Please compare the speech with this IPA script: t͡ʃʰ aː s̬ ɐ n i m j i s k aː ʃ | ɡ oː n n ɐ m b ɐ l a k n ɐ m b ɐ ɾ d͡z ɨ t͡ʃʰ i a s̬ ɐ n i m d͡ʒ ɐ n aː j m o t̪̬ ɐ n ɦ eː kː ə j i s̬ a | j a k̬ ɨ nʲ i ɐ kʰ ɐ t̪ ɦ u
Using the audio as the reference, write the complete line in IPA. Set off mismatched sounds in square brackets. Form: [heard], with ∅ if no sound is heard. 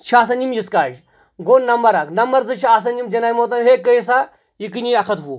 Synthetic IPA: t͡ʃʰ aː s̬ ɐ n i m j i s k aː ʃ | ɡ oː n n ɐ m b ɐ [ɾ] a k n ɐ m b ɐ ɾ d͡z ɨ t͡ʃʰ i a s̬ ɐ n i m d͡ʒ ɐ n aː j m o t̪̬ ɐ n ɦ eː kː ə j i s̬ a | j [i] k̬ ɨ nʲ i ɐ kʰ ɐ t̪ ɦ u